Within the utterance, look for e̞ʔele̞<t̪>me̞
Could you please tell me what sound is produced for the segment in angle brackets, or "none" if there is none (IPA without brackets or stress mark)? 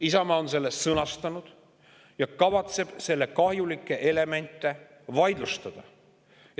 none